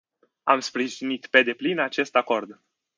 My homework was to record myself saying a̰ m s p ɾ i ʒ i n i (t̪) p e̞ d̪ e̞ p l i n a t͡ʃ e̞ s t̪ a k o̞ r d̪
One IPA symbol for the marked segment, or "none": t̪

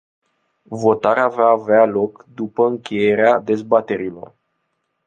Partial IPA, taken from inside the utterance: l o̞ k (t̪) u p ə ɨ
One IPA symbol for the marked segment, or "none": d̪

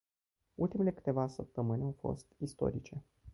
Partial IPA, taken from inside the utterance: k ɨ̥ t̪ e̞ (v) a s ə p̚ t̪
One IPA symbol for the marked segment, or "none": v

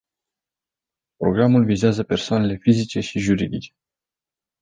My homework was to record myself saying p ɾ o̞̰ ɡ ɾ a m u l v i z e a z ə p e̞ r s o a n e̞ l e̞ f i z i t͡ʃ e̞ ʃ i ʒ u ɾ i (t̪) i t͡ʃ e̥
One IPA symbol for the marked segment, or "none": d̪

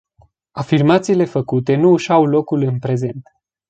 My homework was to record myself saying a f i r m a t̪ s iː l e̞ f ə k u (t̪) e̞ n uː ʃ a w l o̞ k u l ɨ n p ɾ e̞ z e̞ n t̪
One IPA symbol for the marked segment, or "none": t̪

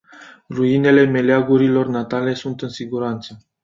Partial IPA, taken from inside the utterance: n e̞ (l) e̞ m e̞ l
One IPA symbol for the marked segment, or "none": l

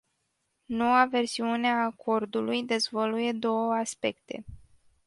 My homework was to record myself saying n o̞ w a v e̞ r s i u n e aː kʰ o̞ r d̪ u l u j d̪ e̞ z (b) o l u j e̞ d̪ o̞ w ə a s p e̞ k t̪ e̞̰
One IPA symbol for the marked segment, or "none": v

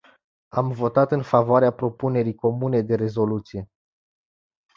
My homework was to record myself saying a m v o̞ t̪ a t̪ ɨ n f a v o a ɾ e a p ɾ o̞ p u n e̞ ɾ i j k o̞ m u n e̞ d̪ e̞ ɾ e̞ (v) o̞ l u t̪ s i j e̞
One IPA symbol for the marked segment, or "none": z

